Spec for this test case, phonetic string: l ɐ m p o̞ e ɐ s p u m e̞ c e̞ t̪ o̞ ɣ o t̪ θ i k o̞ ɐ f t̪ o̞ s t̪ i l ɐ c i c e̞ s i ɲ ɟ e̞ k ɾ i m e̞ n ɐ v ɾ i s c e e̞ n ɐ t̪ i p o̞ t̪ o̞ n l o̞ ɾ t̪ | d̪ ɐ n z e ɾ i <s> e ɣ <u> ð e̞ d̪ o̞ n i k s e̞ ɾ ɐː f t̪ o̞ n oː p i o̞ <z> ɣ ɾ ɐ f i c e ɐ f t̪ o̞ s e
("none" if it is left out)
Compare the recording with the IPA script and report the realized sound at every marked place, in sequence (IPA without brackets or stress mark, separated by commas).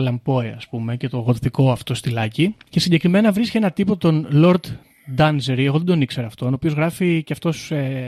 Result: none, o, z